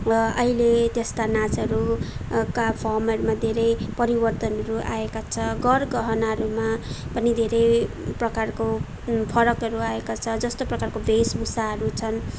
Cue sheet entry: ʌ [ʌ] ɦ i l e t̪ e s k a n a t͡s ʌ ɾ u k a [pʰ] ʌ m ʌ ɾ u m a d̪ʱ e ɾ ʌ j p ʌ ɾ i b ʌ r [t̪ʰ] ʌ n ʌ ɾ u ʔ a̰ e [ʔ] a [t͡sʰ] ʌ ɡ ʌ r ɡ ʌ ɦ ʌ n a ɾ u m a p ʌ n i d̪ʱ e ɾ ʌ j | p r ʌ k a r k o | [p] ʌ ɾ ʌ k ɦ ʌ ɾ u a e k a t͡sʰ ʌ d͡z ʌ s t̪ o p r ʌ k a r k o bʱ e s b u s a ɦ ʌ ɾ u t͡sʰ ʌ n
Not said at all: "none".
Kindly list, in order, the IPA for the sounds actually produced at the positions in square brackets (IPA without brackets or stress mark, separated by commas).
ʌ, pʰ, t̪, k, t͡sʰ, pʰ